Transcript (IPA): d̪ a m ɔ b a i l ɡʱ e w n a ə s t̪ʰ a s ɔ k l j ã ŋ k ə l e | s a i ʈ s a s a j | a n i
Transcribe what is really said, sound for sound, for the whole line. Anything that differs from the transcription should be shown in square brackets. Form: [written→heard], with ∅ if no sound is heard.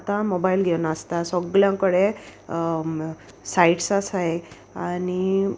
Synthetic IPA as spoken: [d̪→t̪] a m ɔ b a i l ɡʱ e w n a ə s [t̪ʰ→t̪] a s ɔ [k→ɡ] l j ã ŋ k ə [l→ɽ] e | s a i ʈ s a s a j | a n i